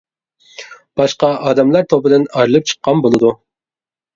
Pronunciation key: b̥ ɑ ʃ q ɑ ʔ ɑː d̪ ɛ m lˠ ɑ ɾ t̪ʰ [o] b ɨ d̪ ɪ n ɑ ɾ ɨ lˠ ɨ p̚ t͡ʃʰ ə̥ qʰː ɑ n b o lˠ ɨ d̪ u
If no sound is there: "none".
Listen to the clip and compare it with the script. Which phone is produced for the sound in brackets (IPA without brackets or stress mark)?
o